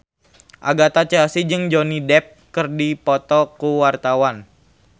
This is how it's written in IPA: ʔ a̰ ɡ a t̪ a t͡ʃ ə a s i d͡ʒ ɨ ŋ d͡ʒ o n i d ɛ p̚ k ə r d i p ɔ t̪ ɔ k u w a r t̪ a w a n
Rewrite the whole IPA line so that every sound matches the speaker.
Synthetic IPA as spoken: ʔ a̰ ɡ a t̪ a t͡ʃ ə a s i d͡ʒ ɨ ŋ d͡ʒ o n i d ɛ p̚ k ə r d i p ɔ t̪ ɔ k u w a r t̪ a w a n